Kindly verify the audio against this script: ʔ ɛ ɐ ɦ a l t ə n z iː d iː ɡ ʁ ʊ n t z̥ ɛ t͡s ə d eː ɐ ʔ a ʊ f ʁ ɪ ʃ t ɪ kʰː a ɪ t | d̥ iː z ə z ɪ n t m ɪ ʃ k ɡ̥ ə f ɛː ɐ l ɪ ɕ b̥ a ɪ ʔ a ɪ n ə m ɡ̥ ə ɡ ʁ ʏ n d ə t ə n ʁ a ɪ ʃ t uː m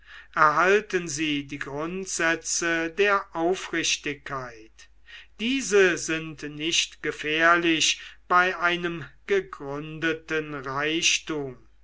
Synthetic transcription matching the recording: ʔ ɛ ɐ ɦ a l t ə n z iː d iː ɡ ʁ ʊ n t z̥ ɛ t͡s ə d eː ɐ ʔ a ʊ f ʁ ɪ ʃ t ɪ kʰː a ɪ t | d̥ iː z ə z ɪ n t n ɪ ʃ t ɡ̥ ə f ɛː ɐ l ɪ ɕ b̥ a ɪ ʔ a ɪ n ə m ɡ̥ ə ɡ ʁ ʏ n d ə t ə n ʁ a ɪ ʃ t uː m

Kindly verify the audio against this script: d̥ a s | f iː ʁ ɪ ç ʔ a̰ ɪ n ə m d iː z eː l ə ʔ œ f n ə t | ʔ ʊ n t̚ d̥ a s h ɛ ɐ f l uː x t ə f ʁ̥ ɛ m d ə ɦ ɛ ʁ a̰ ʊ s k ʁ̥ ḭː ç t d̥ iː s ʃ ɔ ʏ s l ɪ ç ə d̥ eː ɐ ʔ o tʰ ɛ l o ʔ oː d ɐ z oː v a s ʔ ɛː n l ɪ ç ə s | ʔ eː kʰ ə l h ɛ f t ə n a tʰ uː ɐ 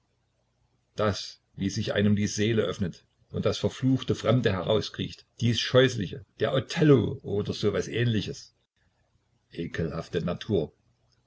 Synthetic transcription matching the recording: d̥ a s | v iː z ɪ ç ʔ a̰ ɪ n ə m d iː z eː l ə ʔ œ f n ə t | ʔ ʊ n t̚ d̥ a s f ɛ ɐ f l uː x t ə f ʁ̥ ɛ m d ə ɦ ɛ ʁ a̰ ʊ s k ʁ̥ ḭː ç t d̥ iː s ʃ ɔ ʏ s l ɪ ç ə d̥ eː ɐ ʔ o tʰ ɛ l o ʔ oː d ɐ z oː v a s ʔ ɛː n l ɪ ç ə s | ʔ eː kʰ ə l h a f t ə n a tʰ uː ɐ

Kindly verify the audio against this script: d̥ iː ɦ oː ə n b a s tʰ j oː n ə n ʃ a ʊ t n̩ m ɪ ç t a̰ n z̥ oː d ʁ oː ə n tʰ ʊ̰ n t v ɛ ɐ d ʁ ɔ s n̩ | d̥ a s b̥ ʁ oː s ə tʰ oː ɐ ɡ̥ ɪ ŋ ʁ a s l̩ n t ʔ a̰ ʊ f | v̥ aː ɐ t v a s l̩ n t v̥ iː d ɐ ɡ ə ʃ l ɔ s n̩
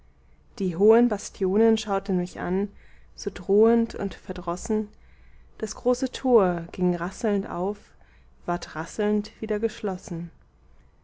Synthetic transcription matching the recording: d̥ iː ɦ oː ə n b a s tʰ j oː n ə n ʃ a ʊ t n̩ m ɪ ç ʔ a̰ n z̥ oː d ʁ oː ə n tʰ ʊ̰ n t f ɛ ɐ d ʁ ɔ s n̩ | d̥ a s ɡ̥ ʁ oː s ə tʰ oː ɐ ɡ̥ ɪ ŋ ʁ a s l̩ n t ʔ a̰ ʊ f | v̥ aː ɐ t ʁ a s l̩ n t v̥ iː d ɐ ɡ ə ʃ l ɔ s n̩

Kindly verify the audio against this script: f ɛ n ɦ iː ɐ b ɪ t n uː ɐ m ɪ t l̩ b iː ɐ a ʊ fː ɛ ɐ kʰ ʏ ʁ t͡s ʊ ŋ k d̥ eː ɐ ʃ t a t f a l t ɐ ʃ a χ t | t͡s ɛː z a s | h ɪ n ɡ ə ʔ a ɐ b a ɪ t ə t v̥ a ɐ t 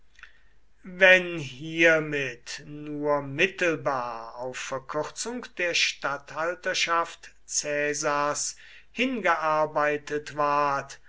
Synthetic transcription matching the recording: v ɛ n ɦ iː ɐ m ɪ t n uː ɐ m ɪ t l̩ b aː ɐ a ʊ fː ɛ ɐ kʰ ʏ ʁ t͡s ʊ ŋ k d̥ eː ɐ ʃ t a t h a l t ɐ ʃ a f t | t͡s ɛː z a s | h ɪ n ɡ ə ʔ a ɐ b a ɪ t ə t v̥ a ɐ t

